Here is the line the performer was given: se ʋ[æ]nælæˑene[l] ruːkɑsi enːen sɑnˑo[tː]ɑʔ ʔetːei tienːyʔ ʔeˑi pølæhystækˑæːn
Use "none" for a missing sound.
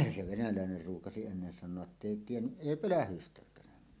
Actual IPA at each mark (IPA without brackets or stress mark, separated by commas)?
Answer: e, r, none